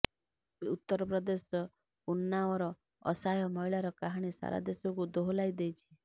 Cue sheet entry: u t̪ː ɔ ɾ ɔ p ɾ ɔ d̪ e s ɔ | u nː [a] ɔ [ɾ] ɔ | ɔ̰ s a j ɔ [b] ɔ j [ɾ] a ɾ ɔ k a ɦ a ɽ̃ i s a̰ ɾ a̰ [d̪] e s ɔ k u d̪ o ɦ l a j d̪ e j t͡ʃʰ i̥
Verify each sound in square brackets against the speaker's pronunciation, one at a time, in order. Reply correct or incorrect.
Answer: correct, correct, incorrect: m, incorrect: ɭ, correct

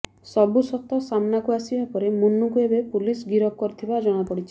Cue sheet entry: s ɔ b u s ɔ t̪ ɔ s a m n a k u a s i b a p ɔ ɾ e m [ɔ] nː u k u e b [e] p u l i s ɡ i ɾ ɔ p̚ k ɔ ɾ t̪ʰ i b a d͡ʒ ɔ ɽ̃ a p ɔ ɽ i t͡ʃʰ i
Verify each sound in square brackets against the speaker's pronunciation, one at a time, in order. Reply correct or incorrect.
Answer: incorrect: u, correct

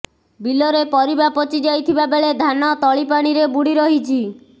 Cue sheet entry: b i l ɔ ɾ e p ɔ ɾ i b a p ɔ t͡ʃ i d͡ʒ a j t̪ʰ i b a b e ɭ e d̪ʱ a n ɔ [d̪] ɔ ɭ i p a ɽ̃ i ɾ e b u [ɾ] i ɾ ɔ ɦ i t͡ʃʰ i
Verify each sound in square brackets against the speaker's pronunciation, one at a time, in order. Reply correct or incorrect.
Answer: incorrect: t̪, incorrect: ɽ

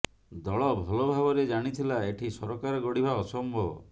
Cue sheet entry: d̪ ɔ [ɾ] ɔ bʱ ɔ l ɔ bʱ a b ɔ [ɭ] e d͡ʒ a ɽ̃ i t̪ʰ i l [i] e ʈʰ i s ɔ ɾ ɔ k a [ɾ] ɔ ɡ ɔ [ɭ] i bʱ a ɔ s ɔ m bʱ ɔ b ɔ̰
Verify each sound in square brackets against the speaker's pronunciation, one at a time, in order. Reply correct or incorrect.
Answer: incorrect: ɭ, incorrect: ɾ, incorrect: a, correct, incorrect: ɽ

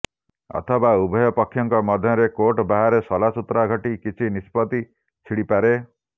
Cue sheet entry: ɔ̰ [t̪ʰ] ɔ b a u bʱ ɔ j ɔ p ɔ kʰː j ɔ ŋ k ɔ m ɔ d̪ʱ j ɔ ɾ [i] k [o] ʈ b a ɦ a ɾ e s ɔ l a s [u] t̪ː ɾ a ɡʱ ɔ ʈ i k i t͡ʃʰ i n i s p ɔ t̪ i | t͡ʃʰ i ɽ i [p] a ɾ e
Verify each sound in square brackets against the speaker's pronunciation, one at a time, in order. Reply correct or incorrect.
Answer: correct, incorrect: e, correct, correct, correct

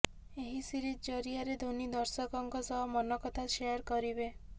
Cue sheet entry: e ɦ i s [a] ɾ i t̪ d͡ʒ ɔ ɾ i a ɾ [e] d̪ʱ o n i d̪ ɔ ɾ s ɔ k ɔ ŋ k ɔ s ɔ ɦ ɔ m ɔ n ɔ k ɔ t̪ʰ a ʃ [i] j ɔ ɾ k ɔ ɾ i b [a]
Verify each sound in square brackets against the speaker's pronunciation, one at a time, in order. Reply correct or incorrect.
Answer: incorrect: i, correct, incorrect: e, incorrect: e

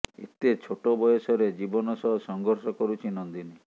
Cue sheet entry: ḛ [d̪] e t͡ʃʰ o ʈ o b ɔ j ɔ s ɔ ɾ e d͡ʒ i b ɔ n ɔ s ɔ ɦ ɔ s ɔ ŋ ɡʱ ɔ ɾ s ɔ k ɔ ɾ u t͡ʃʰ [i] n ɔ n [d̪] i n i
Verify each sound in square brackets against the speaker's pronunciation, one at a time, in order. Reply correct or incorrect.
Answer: incorrect: t̪, correct, correct

